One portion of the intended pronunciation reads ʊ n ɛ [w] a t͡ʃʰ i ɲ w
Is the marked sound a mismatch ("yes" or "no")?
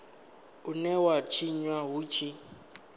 no